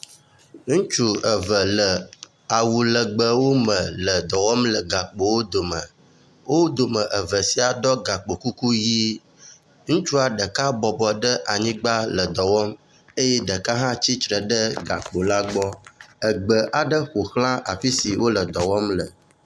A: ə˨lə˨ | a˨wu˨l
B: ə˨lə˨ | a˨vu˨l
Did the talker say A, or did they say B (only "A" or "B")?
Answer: A